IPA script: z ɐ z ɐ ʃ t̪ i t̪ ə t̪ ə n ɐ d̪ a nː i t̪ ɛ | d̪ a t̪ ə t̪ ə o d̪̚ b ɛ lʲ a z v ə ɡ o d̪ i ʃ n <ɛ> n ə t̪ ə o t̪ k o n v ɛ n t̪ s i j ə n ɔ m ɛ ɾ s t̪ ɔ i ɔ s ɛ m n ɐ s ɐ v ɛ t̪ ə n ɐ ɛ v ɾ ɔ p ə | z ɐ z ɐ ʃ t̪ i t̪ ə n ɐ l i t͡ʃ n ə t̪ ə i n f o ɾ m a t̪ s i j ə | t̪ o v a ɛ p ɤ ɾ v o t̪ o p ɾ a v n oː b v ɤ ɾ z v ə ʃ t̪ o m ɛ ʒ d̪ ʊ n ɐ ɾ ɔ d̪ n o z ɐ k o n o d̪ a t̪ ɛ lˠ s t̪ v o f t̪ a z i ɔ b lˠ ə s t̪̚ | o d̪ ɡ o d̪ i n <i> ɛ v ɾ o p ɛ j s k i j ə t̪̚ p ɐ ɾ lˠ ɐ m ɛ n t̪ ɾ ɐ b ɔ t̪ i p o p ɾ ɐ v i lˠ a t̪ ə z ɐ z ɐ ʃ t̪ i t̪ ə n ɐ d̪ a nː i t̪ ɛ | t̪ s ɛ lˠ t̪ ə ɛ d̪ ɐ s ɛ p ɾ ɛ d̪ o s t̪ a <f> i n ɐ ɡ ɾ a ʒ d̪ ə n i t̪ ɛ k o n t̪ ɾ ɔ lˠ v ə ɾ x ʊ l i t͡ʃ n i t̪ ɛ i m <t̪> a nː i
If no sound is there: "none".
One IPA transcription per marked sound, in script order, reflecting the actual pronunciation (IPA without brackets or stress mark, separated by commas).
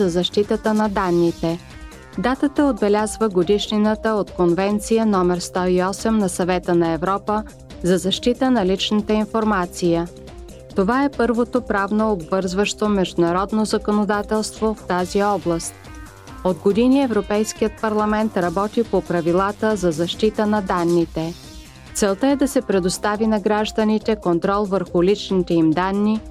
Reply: i, i, v, d̪